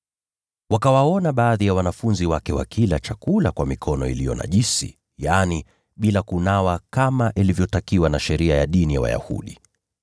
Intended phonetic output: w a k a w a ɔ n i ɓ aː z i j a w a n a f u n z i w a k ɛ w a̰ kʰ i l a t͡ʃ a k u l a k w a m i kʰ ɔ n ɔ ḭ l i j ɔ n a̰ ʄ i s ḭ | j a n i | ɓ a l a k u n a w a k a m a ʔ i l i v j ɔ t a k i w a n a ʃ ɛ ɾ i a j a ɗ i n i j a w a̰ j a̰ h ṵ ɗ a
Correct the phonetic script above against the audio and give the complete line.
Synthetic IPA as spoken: w a k a w a ɔ n a ɓ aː ð i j a w a n a f u n z i w a k ɛ w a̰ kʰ i l a t͡ʃ a k u l a k w a m i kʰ ɔ n ɔ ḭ l i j ɔ n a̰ ʄ i s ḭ | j a n i | ɓ i l a k u n a w a k a m a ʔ i l i v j ɔ t a k i w a n a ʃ ɛ ɾ i a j a ɗ i n i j a w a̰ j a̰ h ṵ ɗ i